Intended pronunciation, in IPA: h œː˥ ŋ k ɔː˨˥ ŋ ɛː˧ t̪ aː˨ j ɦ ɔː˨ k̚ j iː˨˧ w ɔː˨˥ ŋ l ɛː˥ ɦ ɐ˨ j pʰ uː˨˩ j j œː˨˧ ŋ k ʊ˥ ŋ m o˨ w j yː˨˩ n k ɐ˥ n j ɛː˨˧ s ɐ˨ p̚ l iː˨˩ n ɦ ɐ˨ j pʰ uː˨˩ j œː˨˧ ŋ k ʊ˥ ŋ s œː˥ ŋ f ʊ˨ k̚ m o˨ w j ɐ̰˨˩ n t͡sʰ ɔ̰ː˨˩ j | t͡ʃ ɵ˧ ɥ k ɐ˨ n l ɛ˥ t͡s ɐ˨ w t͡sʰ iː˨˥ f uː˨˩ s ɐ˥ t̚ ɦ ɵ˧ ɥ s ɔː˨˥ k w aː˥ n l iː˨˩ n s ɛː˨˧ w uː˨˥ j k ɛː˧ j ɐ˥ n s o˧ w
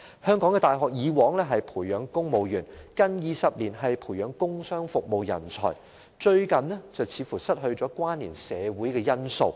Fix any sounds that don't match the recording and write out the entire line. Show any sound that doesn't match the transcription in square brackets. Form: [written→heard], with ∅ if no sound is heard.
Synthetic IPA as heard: h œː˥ ŋ k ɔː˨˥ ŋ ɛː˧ t̪ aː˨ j ɦ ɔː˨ k̚ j iː˨˧ w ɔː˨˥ ŋ l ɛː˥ ɦ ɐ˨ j pʰ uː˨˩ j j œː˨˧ ŋ k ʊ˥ ŋ m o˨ w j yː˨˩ n k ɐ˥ n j [ɛː˨˧→iː˨˧] s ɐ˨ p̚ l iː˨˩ n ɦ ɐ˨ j pʰ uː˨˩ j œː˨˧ ŋ k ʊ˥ ŋ s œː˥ ŋ f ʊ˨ k̚ m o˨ w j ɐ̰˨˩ n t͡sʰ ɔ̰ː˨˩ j | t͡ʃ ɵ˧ ɥ k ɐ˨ n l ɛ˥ t͡s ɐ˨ w t͡sʰ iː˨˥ f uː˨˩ s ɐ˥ t̚ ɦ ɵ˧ ɥ [s→t͡s] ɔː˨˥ k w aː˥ n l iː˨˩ n s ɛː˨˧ w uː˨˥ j k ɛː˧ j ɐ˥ n s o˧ w